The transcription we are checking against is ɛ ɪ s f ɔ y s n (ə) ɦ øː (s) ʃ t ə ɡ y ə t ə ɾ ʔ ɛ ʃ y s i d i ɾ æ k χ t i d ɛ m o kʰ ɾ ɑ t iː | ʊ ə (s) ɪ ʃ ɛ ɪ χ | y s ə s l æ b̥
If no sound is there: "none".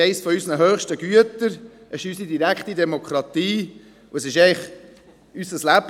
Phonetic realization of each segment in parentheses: ə, χ, s

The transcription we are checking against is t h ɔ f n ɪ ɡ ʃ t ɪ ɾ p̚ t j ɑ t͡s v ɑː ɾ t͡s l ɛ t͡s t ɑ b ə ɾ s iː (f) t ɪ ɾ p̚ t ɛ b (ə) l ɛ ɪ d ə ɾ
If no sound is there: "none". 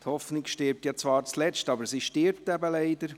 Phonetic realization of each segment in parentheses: ʃ, ə

